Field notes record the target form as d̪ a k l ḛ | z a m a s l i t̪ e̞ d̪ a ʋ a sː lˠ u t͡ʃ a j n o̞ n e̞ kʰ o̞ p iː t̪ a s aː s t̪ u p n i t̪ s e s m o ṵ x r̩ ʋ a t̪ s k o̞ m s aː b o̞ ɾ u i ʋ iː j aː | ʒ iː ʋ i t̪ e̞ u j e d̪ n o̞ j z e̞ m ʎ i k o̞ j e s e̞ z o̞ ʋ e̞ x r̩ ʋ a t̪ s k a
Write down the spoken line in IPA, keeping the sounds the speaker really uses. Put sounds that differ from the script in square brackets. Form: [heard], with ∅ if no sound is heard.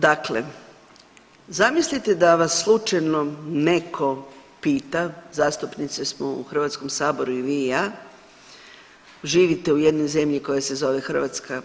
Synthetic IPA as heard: d̪ a k l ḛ | z a m [i] s l i t̪ e̞ d̪ a ʋ a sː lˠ u t͡ʃ a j n o̞ n e̞ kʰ o̞ p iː t̪ a [z] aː s t̪ u p n i t̪ s e s m o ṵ x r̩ ʋ a t̪ s k o̞ m s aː b o̞ ɾ u i ʋ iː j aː | ʒ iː ʋ i t̪ e̞ u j e d̪ n o̞ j z e̞ m ʎ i k o̞ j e s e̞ z o̞ ʋ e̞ x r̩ ʋ a t̪ s k a